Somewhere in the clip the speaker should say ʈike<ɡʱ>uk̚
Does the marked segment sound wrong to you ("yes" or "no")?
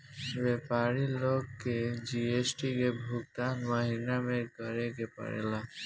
yes